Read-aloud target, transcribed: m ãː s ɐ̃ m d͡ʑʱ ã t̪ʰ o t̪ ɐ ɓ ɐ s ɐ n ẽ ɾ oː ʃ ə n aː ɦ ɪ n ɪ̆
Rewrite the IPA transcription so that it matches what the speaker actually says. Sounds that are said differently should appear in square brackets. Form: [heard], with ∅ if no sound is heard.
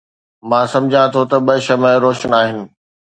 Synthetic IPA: m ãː s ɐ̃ m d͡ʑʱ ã t̪ʰ o t̪ ɐ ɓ ɐ [ʃ] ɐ [m] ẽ ɾ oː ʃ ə n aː ɦ ɪ n ɪ̆